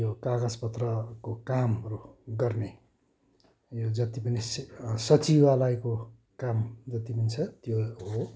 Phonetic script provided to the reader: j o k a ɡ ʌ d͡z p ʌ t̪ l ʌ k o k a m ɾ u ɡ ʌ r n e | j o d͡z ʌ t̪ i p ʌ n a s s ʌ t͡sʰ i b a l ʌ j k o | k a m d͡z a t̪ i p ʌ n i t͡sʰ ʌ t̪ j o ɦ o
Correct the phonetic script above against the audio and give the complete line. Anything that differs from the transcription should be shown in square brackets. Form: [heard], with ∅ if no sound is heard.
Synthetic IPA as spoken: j o k a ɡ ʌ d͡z p ʌ t̪ [r] ʌ k o k a m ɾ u ɡ ʌ r n e | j o d͡z ʌ t̪ i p ʌ n [i] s s ʌ [t͡s] i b a l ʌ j k o | k a m d͡z [ʌ] t̪ i p ʌ n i t͡sʰ ʌ t̪ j o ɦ o